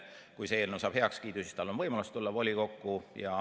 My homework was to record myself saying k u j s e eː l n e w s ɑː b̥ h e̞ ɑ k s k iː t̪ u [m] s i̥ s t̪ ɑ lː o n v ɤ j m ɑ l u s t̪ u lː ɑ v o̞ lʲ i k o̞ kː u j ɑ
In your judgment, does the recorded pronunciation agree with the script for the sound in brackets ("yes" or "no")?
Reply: no